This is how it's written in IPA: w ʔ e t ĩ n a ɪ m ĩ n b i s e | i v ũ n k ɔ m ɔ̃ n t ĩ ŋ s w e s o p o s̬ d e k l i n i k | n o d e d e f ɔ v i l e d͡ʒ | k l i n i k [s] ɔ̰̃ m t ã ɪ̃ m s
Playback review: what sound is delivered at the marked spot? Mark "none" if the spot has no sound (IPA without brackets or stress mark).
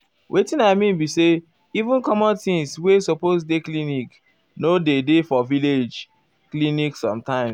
s